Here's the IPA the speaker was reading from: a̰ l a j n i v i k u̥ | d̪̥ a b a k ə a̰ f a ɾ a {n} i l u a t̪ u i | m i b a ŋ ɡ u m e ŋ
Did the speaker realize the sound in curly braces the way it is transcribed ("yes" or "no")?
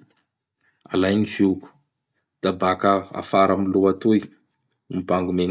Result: no